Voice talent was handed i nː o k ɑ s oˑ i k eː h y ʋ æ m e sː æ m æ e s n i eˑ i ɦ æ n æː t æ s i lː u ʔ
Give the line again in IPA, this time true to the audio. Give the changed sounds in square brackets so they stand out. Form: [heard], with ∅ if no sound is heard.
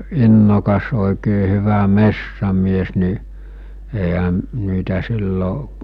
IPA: i nː o k ɑ s oˑ i k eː h y ʋ æ m e sː æ m [i] e s n i eˑ i ɦ æ n [iː] t æ s i lː [o] ʔ